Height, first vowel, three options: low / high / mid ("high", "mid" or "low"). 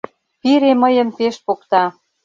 high